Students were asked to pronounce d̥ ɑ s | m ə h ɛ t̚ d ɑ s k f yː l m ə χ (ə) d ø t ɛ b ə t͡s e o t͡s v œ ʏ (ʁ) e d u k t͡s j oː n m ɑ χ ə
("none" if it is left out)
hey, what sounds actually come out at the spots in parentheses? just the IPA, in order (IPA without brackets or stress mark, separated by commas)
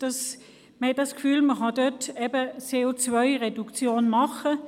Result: ɑ, ʁ